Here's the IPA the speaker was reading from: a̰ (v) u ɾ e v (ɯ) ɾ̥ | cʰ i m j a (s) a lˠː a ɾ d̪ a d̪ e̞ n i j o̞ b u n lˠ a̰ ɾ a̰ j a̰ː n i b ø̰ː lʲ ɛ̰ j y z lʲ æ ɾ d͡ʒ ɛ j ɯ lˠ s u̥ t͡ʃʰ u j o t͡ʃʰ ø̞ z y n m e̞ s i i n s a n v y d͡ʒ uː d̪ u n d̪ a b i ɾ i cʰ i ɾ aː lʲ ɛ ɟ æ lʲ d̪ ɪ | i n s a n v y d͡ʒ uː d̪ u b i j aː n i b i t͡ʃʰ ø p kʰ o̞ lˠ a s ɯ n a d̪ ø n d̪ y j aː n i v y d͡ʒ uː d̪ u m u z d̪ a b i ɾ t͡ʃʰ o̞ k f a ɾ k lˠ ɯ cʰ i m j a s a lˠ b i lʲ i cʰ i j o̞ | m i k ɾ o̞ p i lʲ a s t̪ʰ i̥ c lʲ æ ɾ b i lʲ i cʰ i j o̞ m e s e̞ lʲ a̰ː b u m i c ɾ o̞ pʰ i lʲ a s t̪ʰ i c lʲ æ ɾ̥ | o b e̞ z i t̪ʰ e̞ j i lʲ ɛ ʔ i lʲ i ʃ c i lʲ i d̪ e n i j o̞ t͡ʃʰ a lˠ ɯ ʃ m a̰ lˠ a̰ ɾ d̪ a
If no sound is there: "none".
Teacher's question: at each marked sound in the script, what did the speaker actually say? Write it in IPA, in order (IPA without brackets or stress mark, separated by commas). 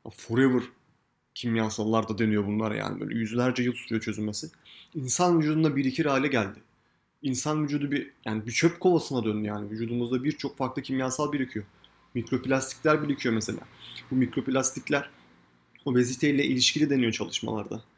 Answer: f, ɯ, s